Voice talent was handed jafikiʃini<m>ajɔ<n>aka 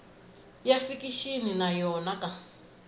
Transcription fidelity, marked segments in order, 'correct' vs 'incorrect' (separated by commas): incorrect, correct